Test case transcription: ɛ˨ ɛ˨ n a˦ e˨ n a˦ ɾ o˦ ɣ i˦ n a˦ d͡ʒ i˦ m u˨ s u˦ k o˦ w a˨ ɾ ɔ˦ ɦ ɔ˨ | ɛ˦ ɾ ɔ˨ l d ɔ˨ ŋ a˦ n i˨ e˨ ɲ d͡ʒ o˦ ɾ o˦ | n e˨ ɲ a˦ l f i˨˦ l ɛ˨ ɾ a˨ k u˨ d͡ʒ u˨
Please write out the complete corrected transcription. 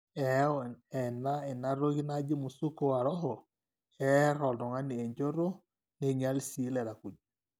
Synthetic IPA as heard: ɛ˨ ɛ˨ n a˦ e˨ n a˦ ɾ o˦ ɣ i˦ n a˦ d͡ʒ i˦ m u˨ s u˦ k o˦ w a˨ ɾ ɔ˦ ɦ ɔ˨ | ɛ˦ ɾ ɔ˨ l d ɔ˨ ŋ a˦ n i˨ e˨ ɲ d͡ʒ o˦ ɾ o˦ | n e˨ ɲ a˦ l s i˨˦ l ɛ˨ ɾ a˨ k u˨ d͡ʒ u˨